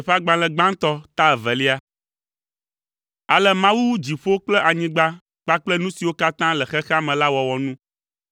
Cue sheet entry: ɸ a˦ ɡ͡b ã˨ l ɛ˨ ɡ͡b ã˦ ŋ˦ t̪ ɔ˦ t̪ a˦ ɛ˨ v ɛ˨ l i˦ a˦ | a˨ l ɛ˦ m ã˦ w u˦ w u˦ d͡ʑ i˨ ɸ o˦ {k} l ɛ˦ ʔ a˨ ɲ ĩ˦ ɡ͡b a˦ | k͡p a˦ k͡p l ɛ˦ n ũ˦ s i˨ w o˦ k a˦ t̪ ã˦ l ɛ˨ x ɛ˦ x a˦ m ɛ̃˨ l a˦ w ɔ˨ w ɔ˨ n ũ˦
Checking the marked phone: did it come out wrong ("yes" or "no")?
yes